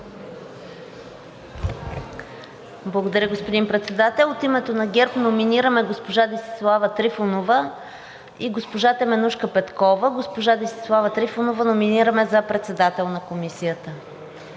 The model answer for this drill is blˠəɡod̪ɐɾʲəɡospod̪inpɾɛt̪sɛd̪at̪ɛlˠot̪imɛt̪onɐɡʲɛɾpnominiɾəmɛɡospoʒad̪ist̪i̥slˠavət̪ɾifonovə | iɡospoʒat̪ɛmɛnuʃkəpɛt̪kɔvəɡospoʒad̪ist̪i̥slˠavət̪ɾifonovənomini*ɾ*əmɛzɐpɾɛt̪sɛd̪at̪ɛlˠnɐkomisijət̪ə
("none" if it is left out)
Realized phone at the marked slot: ɾ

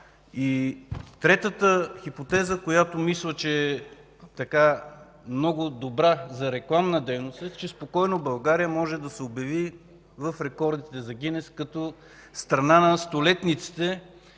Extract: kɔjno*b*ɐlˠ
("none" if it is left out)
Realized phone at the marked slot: b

